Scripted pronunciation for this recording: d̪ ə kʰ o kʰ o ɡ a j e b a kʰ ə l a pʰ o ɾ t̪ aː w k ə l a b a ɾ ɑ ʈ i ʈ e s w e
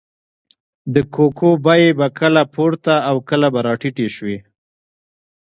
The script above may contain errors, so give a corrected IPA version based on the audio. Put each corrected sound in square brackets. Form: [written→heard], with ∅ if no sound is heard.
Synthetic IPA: d̪ ə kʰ o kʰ o [ɡ→b] a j e b a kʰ ə l a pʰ o ɾ t̪ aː w k ə l a b a ɾ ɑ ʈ i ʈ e [s→ʃ] w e